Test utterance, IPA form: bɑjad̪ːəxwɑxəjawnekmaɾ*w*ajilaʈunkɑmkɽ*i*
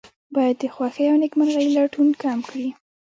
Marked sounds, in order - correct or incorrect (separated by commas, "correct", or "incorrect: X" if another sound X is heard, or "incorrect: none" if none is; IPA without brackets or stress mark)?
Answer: incorrect: ɣ, correct